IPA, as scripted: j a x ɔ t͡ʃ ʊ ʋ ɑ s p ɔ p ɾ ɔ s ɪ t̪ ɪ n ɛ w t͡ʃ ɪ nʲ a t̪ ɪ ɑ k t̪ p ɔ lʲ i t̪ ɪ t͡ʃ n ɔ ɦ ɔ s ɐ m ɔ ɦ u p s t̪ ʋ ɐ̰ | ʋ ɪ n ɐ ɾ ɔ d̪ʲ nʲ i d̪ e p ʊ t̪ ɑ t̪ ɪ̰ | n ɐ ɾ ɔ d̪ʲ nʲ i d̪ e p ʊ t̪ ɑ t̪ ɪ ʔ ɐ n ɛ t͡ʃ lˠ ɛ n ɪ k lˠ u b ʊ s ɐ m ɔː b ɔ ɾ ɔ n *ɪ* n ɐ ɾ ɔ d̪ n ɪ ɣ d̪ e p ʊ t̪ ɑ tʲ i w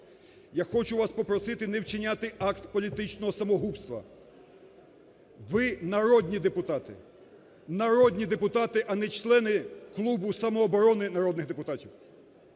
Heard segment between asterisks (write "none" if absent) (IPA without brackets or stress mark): ɪ